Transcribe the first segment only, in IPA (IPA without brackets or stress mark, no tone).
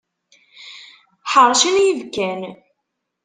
ħ